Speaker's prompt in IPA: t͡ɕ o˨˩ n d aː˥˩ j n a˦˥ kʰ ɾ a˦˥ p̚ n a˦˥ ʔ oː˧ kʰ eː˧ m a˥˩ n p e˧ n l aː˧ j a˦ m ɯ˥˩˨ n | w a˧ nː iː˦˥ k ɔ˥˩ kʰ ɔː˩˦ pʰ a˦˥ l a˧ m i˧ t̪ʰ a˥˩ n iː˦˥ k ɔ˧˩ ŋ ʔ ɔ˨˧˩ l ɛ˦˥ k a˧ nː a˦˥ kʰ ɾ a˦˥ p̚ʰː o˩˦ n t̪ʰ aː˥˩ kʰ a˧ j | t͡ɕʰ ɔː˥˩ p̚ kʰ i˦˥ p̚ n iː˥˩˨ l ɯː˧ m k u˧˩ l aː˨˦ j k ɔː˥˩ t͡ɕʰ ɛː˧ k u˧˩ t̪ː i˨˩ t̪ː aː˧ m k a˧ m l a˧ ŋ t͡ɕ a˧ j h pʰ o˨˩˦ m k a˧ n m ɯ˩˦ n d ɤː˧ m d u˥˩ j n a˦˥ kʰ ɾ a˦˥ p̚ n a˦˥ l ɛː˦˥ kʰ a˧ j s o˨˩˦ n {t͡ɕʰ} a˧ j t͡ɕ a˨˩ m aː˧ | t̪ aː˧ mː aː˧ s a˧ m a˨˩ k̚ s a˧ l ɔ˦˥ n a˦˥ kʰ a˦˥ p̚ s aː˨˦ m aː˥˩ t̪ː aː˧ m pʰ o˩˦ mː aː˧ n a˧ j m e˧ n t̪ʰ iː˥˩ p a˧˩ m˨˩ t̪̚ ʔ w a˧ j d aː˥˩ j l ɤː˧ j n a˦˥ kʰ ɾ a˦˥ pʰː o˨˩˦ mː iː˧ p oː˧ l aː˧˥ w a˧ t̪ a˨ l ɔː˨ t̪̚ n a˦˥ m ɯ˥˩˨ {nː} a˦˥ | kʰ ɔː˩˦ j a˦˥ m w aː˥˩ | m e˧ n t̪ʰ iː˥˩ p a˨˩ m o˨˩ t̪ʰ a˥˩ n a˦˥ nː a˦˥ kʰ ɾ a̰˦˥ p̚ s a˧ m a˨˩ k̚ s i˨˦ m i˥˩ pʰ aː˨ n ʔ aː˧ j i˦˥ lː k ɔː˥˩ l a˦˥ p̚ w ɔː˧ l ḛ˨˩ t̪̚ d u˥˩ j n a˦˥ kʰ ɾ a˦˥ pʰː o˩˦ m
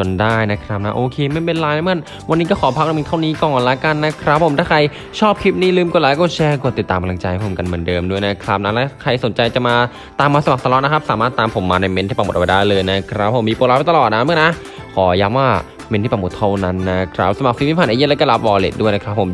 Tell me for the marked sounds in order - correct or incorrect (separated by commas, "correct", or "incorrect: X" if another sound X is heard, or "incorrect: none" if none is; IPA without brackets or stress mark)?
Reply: incorrect: t͡ɕ, incorrect: n